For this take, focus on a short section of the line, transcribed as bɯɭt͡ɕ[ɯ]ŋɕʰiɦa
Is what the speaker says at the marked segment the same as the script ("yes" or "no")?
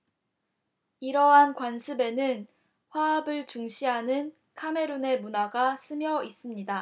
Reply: no